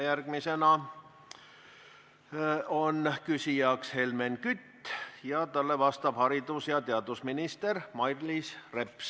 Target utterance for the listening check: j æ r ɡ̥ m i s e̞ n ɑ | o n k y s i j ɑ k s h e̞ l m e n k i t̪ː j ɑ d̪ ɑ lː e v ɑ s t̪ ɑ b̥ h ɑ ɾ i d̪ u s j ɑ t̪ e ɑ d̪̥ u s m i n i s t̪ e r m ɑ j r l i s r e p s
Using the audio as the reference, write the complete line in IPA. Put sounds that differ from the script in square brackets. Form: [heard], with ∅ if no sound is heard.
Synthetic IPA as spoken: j æ r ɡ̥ m i s e̞ n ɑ | o n k y s i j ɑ k s h e̞ l m e n k [y] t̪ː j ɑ [t̪] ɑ lː e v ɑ s t̪ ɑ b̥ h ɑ ɾ i d̪ u s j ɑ t̪ e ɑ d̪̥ u s m i n i s t̪ e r m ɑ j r l i s r e p s